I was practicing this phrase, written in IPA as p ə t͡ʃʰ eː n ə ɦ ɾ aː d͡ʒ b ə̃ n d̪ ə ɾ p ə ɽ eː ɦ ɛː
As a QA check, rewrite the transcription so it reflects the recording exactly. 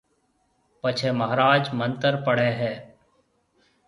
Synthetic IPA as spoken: p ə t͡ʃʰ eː m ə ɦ ɾ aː d͡ʒ m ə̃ n t̪ ə ɾ p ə ɽ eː ɦ ɛː